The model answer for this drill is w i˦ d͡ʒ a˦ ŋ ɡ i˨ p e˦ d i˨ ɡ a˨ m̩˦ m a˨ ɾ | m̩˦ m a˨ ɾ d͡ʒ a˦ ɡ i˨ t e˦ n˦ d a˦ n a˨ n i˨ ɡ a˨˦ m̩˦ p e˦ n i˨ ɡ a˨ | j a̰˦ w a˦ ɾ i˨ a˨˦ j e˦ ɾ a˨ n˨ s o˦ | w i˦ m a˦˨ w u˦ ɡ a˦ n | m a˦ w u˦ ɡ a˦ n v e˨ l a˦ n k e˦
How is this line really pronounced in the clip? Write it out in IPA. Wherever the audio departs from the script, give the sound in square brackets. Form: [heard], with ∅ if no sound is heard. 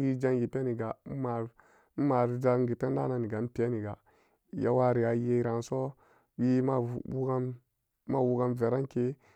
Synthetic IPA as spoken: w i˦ d͡ʒ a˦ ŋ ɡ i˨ p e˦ [n] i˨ ɡ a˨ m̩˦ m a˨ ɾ | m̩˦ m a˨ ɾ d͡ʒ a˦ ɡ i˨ t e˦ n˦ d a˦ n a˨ n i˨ ɡ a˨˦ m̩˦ p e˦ n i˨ ɡ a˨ | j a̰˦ w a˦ ɾ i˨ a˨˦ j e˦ ɾ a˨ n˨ s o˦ | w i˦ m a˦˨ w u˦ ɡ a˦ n | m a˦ w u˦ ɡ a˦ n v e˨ [ɾ] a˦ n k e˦